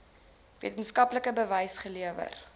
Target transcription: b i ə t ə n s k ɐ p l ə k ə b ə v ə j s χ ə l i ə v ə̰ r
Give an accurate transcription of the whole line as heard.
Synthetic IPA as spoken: v i ə t ə n s k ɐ p l ə k ə b ə v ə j s χ ə l i ə v ə̰ r